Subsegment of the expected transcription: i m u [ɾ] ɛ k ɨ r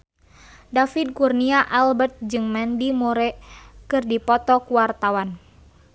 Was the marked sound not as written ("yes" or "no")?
no